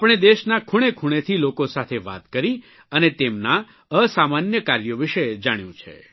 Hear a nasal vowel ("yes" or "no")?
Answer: yes